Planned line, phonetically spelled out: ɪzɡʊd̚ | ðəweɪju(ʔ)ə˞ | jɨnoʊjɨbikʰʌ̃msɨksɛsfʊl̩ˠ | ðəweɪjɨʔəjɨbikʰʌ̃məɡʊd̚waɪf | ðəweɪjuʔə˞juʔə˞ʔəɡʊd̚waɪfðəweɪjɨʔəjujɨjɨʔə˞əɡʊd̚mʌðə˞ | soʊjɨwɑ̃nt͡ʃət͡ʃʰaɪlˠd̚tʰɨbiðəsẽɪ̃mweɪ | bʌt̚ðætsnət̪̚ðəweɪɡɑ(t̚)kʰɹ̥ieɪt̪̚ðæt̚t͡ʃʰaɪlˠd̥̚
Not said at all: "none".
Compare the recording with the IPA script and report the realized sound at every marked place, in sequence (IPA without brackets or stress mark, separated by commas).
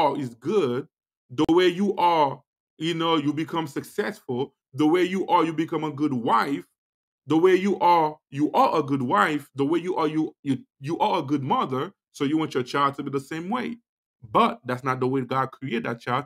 ʔ, d̚